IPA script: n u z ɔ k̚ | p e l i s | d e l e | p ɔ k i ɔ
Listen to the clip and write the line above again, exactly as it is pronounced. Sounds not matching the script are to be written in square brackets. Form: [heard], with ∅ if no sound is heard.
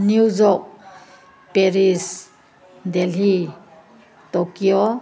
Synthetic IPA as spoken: n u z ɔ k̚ | p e [ɾ] i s | d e l [i] | [t] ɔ k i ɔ